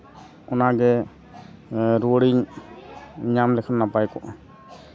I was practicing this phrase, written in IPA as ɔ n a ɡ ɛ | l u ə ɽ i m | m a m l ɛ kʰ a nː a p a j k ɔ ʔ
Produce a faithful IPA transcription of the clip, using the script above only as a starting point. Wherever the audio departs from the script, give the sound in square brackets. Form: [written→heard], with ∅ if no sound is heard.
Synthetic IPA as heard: ɔ n a ɡ ɛ | [l→ɾ] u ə ɽ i [m→ɲ] | [m→ɲ] a m l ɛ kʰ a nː a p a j k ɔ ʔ